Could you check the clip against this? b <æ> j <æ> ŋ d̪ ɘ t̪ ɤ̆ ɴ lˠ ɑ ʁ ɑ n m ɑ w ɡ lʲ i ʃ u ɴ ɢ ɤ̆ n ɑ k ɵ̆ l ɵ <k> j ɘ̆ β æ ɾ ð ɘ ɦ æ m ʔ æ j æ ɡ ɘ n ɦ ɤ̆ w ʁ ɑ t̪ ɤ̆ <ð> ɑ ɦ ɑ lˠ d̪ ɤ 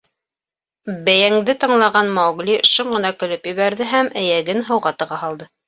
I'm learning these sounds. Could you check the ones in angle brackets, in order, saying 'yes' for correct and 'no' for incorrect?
yes, yes, no, no

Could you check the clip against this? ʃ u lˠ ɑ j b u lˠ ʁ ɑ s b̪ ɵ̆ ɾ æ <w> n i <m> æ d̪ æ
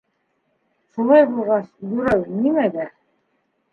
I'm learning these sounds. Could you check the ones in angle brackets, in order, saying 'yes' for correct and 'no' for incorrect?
yes, yes

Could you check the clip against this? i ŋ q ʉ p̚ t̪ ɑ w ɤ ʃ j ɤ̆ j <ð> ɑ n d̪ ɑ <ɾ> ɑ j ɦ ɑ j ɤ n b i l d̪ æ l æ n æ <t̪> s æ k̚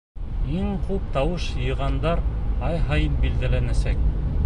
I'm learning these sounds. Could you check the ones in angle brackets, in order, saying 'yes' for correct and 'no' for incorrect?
no, yes, no

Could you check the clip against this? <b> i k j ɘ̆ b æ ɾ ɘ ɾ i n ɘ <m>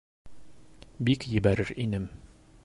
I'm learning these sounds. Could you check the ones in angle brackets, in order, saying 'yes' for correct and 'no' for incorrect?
yes, yes

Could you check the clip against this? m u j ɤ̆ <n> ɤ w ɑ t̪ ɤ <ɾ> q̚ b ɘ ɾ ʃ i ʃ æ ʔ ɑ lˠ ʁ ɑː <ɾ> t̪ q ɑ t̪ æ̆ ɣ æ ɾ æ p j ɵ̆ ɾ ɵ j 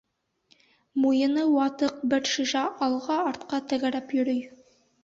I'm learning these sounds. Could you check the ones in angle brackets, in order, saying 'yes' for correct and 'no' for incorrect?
yes, no, yes

